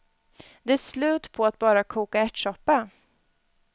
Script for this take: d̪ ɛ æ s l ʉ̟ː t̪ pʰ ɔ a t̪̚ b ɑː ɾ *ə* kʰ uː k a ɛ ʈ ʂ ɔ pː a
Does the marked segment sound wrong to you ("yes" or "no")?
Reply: yes